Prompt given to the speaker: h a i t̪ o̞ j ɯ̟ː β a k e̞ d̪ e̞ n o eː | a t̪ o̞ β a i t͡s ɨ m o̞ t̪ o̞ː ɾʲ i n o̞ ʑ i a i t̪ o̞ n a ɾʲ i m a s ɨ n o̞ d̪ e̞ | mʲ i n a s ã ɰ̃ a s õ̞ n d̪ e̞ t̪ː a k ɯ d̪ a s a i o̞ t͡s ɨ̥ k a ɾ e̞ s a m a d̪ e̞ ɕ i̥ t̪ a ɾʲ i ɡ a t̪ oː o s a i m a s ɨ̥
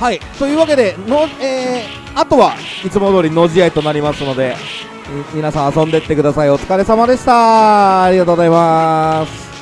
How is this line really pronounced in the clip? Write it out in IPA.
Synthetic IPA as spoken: h a i t̪ o̞ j ɯ̟ː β a k e̞ d̪ e̞ n o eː | a t̪ o̞ β a i t͡s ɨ m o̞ d̪ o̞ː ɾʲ i n o̞ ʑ i a i t̪ o̞ n a ɾʲ i m a s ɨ n o̞ d̪ e̞ | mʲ i n a s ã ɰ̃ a s õ̞ n d̪ e̞ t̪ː e k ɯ d̪ a s a i o̞ t͡s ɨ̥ k a ɾ e̞ s a m a d̪ e̞ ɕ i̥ t̪ a ɾʲ i ɡ a t̪ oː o z a i m a s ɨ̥

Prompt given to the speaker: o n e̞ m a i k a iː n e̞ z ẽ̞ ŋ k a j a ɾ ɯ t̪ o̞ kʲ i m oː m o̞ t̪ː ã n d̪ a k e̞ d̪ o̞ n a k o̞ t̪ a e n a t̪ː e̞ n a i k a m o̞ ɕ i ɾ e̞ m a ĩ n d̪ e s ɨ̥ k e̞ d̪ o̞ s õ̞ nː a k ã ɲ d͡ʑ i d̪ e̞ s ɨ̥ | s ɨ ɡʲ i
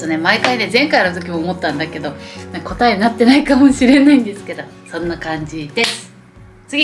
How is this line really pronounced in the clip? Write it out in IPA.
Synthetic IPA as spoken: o n e̞ m a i k a i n e̞ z ẽ̞ ŋ k a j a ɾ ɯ t̪ o̞ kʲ i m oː m o̞ t̪ː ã n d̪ a k e̞ d̪ o̞ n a k o̞ t̪ a e n a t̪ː e̞ n a i k a m o̞ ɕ i ɾ e̞ n a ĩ n d̪ e s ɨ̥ k e̞ d̪ o̞ s õ̞ nː a k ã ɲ d͡ʑ i d̪ e̞ s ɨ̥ | t͡s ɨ ɡʲ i

